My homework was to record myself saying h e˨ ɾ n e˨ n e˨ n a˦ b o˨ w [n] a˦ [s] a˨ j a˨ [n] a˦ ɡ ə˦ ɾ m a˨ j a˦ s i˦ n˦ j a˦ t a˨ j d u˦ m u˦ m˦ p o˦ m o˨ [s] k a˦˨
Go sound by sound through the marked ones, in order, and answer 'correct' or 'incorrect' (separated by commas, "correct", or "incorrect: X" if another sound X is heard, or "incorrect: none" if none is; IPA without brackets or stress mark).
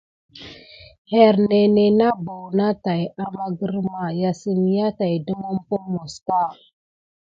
correct, incorrect: t, incorrect: m, correct